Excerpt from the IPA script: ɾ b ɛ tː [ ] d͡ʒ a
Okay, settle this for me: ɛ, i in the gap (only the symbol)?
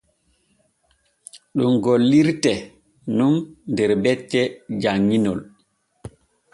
ɛ